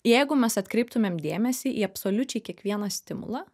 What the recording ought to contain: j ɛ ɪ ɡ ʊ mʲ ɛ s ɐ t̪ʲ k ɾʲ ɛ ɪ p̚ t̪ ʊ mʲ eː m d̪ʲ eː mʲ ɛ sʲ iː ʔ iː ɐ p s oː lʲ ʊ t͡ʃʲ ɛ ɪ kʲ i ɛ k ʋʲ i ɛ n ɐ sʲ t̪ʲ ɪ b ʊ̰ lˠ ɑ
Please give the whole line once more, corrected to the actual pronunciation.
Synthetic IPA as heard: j ɛ ɪ ɡ ʊ mʲ ɛ s ɐ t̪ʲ k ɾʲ ɛ ɪ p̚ t̪ ʊ mʲ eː m d̪ʲ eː mʲ ɛ sʲ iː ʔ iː ɐ p s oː lʲ ʊ t͡ʃʲ ɛ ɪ kʲ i ɛ k ʋʲ i ɛ n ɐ sʲ t̪ʲ ɪ m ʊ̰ lˠ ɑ